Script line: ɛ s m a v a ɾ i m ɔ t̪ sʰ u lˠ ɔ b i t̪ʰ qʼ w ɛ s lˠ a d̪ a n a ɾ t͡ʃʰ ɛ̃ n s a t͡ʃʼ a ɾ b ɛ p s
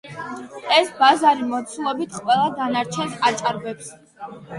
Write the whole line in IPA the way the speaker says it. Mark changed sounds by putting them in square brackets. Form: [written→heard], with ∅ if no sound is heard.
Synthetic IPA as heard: ɛ s [m→b] a [v→z] a ɾ i m ɔ t̪ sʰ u lˠ ɔ b i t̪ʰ qʼ w ɛ [s→∅] lˠ a d̪ a n a ɾ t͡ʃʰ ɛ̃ n s a t͡ʃʼ a ɾ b ɛ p s